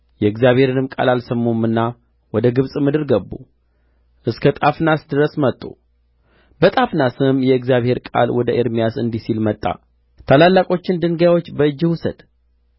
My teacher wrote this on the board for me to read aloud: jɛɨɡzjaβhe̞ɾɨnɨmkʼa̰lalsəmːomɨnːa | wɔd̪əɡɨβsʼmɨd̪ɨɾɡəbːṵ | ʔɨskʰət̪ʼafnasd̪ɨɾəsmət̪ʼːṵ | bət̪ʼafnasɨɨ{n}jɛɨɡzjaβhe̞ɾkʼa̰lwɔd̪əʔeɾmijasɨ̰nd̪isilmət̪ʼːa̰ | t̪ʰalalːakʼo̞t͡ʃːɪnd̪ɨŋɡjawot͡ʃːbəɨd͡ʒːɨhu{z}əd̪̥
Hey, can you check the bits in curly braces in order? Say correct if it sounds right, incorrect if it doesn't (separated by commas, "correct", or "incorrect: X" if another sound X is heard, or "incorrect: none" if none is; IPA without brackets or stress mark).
incorrect: m, incorrect: s